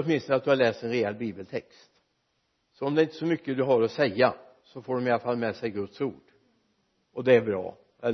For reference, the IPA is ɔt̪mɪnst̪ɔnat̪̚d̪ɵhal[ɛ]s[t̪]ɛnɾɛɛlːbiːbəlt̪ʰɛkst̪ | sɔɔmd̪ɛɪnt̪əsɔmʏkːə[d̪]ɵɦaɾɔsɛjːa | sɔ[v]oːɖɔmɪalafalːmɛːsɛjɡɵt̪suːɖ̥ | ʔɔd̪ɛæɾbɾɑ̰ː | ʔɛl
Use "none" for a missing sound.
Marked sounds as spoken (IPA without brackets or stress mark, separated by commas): ɛː, t̪, d̪, f